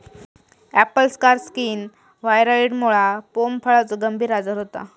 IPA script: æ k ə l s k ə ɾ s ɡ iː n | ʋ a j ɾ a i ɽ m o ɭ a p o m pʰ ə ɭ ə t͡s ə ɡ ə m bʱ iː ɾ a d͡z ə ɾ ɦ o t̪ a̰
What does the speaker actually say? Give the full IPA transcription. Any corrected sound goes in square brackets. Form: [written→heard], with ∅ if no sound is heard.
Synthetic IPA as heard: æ [k→p] ə l s k [ə→a] ɾ s [ɡ→k] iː n | ʋ a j ɾ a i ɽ m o ɭ a p o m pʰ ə ɭ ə t͡s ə ɡ ə m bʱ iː ɾ a d͡z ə ɾ ɦ o t̪ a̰